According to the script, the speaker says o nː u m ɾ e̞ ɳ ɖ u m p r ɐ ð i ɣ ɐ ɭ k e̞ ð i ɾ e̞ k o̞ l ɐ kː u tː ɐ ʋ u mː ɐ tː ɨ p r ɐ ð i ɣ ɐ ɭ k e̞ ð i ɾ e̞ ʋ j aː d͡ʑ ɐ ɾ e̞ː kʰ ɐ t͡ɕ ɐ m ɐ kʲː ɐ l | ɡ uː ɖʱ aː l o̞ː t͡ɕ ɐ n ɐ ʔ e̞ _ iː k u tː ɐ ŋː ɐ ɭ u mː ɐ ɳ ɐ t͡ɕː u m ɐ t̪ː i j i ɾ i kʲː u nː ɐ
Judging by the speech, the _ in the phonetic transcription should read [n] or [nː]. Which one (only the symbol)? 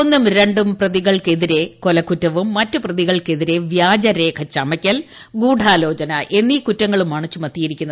nː